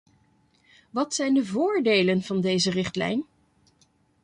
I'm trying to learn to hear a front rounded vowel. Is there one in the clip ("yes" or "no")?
no